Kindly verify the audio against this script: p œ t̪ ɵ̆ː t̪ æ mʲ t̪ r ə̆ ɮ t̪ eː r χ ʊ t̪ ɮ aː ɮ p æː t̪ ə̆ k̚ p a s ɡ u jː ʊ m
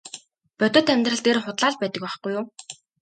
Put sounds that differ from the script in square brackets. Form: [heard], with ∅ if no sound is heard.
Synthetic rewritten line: p œ t̪ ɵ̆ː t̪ æ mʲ t̪ r ə̆ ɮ t̪ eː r χ ʊ t̪ ɮ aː ɮ p æː t̪ ə̆ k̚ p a [χ] ɡ u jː ʊ m